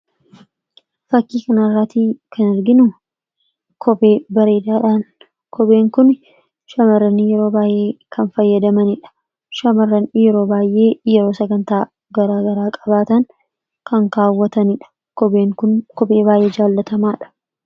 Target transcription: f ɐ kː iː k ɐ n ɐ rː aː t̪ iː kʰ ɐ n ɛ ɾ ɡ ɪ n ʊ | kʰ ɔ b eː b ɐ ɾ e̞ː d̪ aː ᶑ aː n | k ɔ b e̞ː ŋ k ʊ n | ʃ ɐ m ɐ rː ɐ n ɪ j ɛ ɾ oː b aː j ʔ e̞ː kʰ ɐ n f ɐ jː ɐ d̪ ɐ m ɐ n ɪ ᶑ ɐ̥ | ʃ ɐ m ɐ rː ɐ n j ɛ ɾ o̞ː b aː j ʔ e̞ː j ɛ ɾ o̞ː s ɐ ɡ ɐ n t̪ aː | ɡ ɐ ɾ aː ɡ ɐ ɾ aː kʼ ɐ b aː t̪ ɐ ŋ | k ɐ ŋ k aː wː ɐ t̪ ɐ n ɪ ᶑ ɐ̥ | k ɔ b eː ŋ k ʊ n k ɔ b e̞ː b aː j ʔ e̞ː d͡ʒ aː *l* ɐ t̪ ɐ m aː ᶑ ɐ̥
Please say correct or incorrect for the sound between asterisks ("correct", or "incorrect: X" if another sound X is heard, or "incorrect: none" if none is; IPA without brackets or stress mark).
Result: incorrect: lː